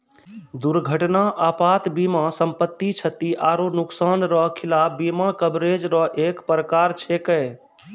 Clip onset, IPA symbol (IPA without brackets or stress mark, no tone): d̪